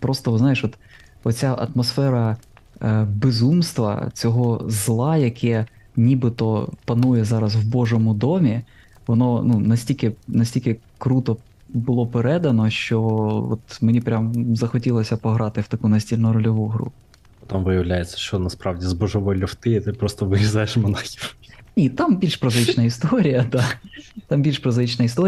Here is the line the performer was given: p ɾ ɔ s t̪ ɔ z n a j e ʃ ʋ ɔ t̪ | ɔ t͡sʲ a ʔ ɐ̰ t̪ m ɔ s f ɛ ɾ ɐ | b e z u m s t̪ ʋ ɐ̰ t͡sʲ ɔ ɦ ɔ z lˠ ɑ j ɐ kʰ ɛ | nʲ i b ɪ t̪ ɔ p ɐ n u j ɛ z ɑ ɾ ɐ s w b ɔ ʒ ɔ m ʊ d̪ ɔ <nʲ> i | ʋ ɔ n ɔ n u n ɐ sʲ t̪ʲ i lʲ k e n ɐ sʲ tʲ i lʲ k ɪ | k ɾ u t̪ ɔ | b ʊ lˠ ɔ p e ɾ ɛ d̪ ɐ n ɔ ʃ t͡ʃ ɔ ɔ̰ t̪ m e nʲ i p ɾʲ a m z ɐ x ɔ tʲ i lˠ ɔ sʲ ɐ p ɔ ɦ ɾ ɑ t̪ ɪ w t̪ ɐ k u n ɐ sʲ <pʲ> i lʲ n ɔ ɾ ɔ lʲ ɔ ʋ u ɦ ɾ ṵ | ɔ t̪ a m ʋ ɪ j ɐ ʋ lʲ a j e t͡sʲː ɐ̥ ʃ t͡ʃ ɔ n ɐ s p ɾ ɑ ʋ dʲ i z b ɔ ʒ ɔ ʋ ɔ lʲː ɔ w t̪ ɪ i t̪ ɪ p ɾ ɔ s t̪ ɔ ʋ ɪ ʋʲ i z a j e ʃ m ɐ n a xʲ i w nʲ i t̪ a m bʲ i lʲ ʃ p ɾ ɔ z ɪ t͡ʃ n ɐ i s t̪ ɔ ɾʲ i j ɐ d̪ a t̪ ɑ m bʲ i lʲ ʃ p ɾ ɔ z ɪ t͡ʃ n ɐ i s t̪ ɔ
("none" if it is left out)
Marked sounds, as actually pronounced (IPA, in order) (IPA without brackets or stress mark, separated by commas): mʲ, tʲ